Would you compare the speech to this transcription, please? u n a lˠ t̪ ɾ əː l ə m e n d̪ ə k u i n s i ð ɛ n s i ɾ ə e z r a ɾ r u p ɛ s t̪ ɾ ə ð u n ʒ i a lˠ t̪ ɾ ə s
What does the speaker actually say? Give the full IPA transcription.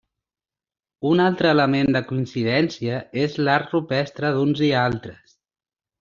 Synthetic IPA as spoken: u n a lˠ t̪ ɾ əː l ə m e n d̪ ə k u i n s i ð ɛ n s i ə e z l a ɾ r u p ɛ s t̪ ɾ ə ð u n z i a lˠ t̪ ɾ ə s